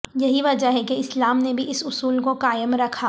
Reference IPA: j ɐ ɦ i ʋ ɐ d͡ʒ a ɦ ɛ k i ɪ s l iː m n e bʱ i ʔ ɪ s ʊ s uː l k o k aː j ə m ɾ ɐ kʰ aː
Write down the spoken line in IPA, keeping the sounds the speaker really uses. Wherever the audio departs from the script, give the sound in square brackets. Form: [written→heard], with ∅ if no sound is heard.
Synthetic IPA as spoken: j ɐ ɦ i ʋ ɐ d͡ʒ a ɦ ɛ k [i→e] ɪ s l [iː→aː] m n e bʱ i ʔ ɪ s ʊ s uː l k o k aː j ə m ɾ ɐ kʰ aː